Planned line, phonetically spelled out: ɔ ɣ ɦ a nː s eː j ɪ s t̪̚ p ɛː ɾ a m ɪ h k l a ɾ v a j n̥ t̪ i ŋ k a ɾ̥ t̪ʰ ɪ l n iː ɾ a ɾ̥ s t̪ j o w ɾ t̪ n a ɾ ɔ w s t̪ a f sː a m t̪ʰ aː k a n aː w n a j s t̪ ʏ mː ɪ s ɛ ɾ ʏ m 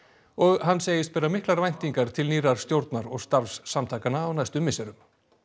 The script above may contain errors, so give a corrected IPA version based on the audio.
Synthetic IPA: ɔ ɣ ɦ a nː s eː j ɪ s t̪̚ p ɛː ɾ a m ɪ h k l a ɾ v a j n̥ t̪ i ŋ k a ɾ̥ t̪ʰ ɪ l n iː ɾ a ɾ̥ s t̪ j o w ɾ t̪ n a ɾ ɔ ɣ s t̪ a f sː a m t̪ʰ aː k a n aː w n a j s t̪ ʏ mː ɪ s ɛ ɾ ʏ m

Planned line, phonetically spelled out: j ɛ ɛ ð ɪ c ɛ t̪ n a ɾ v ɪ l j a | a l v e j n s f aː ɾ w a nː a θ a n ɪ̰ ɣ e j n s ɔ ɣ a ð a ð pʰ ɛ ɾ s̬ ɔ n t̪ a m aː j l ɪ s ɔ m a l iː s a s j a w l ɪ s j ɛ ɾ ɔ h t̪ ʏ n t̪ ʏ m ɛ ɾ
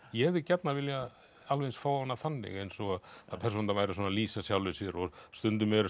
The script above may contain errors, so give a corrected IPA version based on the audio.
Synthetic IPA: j ɛ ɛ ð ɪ c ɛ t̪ n a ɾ v ɪ l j a | a l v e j n s f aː w a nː a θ a nː ɪ̰ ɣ e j n s ɔ ɣ a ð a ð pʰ ɛ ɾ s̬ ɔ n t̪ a m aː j ɾ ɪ s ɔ n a l iː s a s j a w l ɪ s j ɛ ɾ ɔ s t̪ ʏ n t̪ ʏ m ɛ ɾ

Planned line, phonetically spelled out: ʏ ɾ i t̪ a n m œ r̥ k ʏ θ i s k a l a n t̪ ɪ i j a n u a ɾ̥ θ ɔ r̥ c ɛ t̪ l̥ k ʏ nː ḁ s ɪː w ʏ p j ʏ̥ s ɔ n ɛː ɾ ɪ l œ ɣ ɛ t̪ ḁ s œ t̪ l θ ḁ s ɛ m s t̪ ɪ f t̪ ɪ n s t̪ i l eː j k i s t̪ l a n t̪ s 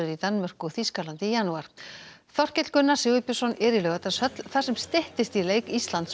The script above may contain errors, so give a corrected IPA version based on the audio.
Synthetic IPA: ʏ ɾ i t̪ a n m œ r̥ k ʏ θ i s k a l a n t̪ ɪ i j a n u a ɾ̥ θ ɔ r̥ c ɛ t̪ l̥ k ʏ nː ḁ s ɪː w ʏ p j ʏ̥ s ɔ n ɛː ɾ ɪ l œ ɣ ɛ t̪ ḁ s œ t̪ l θ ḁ s ɛ m s t̪ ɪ h t̪ ɪ s t̪ i l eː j k i s t̪ l a n t̪ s

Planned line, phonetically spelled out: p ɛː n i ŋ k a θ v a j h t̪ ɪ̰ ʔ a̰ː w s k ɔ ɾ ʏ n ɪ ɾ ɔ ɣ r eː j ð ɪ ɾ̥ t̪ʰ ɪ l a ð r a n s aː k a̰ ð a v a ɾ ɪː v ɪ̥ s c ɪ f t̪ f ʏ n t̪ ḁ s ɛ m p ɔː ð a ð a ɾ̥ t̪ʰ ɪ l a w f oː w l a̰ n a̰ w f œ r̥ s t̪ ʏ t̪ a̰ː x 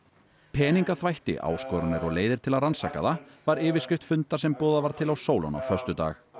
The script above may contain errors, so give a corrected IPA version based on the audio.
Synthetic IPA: pʰ ɛː n i ŋ k a θ v a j h t̪ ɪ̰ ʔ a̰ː w s k ɔ ɾ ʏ n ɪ ɾ ɔ ɣ l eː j ð ɪ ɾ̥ t̪ʰ ɪ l a ð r a n s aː k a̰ ð a v a ɾ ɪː v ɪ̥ s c ɪ f t̪ f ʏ n t̪ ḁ s ɛ m p ɔː ð a v a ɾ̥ t̪ʰ ɪ l a w s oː w l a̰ n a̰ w f œ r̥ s t̪ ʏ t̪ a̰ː x

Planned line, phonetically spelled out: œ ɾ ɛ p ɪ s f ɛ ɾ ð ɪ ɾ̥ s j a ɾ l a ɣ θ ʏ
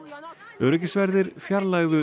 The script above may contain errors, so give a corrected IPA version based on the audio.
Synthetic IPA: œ ɾ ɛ c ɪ s v ɛ ɾ ð ɪ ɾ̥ f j a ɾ l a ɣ ð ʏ

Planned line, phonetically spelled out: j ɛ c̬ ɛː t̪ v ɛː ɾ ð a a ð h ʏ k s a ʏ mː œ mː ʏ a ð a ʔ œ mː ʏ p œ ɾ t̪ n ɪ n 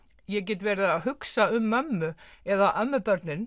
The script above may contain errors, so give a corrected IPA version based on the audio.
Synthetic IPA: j ɛ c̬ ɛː t̪ v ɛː ɾ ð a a ð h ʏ k s a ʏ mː œ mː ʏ ɛ ð a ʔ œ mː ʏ p œ ɾ t̪ n ɪ n

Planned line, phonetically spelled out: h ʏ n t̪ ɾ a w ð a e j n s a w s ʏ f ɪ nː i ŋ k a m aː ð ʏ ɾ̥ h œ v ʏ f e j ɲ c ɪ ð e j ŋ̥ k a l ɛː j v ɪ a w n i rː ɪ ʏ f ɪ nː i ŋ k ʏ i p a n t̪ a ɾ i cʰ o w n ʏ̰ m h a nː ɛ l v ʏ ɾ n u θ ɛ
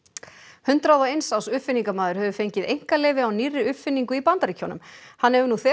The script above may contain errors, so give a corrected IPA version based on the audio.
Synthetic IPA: h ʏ n t̪ ɾ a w ð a e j n s a w s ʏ f ɪ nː i ŋ k a m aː ð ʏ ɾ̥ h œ v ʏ f e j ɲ c ɪ ð e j ŋ̥ k a l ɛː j v ɪ a w n i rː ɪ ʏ f ɪ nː i ŋ k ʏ i p a n t̪ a ɾ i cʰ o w n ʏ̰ m h a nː ɛ v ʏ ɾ n u θ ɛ

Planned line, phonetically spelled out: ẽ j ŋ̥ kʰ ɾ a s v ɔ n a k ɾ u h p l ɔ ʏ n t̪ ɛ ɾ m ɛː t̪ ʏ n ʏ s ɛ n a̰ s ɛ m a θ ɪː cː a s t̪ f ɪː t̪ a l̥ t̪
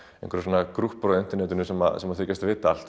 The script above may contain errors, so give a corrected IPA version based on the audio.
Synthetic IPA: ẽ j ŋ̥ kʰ ɾ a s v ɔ n a k ɾ u h p ɾ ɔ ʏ n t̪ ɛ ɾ n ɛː t̪ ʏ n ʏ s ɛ m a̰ s ɛ m a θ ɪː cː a s t̪ v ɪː t̪ a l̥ t̪

